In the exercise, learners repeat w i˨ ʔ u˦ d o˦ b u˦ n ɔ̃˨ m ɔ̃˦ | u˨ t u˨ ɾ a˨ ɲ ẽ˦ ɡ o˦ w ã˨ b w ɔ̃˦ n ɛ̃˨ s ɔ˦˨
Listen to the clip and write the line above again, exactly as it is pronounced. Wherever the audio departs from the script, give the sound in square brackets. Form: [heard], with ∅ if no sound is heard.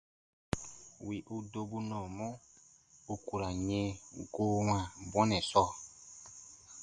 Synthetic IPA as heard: w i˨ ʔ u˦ d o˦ b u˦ n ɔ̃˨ m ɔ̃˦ | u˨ [k] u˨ ɾ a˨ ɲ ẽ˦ ɡ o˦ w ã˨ b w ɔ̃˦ n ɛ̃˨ s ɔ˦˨